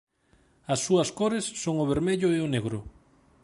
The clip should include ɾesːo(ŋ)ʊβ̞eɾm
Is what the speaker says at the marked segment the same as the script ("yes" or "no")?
yes